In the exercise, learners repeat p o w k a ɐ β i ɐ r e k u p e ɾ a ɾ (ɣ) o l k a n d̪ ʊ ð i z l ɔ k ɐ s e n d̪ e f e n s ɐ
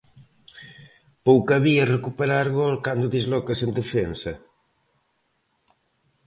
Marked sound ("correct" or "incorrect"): correct